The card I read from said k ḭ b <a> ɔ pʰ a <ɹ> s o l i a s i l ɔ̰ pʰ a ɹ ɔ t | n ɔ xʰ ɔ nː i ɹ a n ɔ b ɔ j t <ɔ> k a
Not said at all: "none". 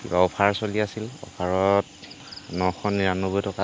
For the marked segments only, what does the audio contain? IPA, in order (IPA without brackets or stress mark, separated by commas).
a, ɹ, ɔ